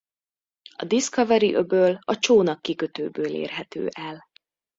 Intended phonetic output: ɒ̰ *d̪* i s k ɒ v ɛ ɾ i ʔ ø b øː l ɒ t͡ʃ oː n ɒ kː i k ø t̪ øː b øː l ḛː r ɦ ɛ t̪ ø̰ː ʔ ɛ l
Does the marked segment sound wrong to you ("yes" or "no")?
no